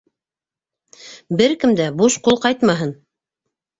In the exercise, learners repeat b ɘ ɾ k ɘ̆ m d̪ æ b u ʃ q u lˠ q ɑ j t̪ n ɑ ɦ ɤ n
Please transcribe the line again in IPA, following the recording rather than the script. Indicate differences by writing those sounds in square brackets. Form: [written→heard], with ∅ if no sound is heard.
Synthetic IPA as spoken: b ɘ ɾ k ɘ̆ m d̪ æ b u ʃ q u lˠ q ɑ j t̪ [n→m] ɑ ɦ ɤ n